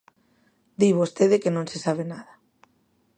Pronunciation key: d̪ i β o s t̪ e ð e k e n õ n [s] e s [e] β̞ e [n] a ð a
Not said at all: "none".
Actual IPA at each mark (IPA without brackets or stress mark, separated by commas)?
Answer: s, a, n